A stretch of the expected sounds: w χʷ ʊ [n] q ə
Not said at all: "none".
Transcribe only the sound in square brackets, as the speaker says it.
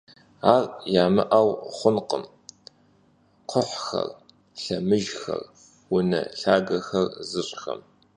n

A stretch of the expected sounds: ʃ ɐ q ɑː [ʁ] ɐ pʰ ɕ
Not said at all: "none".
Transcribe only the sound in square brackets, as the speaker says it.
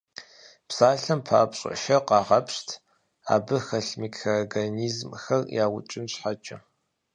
ʁ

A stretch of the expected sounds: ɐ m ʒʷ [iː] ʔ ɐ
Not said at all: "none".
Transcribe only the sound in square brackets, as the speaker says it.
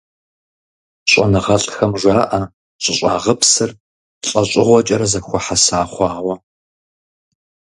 aː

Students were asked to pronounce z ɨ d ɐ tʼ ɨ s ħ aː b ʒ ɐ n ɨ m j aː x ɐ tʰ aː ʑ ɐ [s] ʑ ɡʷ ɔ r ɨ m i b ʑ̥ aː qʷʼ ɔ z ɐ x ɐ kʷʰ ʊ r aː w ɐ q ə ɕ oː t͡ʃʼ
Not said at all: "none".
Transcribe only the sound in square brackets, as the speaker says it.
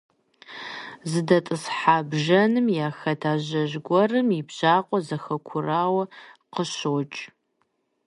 none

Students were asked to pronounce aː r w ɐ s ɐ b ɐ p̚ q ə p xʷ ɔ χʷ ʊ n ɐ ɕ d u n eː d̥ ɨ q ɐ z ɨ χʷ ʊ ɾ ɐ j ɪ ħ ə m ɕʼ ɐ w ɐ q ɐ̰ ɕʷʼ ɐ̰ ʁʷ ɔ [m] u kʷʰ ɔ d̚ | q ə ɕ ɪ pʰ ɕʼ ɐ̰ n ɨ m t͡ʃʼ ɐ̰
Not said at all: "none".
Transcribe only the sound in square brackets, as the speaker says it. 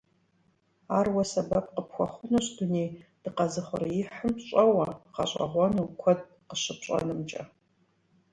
n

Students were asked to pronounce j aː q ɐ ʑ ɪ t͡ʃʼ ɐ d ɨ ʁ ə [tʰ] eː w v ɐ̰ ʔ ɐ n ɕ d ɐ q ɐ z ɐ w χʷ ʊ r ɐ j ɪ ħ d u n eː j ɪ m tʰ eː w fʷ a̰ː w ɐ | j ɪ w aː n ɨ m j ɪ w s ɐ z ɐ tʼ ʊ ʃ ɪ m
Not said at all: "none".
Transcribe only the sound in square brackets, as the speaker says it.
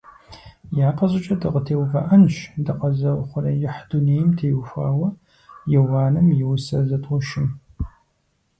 tʰ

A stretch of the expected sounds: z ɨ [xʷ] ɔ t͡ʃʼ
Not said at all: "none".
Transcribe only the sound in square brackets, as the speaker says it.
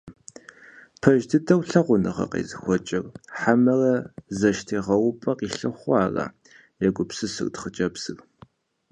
xʷ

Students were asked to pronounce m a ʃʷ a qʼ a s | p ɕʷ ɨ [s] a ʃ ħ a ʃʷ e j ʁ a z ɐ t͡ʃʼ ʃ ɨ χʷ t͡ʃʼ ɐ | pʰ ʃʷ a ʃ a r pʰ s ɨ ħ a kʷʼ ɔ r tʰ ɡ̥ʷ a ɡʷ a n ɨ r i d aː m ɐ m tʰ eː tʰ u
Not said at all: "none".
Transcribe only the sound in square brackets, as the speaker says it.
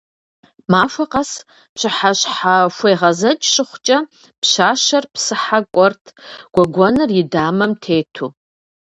ħ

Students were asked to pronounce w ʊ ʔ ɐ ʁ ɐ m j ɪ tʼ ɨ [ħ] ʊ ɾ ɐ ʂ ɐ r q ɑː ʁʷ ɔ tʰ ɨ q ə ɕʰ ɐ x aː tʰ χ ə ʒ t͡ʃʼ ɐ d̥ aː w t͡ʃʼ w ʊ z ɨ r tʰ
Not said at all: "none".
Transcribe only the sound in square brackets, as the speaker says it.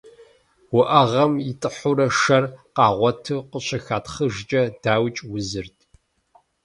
ħ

